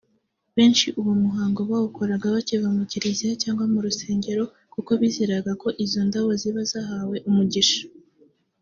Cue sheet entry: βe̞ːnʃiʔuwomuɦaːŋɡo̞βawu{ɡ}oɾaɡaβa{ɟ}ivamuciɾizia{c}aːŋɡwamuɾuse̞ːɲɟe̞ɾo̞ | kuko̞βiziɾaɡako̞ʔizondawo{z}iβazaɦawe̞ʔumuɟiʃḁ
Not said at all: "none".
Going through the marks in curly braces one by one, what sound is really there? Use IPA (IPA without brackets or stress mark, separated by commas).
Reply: k, c, c, z